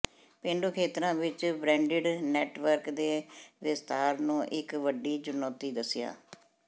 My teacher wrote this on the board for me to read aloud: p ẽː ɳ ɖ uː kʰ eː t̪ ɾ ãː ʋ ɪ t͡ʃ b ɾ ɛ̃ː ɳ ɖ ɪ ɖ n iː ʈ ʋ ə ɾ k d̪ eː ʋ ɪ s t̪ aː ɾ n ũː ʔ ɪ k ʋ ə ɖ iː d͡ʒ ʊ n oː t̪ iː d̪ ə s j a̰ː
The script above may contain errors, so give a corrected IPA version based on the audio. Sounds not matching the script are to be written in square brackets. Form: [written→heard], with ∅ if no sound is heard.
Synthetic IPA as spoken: p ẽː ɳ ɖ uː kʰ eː t̪ ɾ ãː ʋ ɪ t͡ʃ b ɾ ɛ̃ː ɳ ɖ ɪ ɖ n [iː→ɛː] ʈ ʋ ə ɾ k d̪ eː ʋ ɪ s t̪ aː ɾ n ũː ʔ ɪ k ʋ ə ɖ iː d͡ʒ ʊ n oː t̪ iː d̪ ə s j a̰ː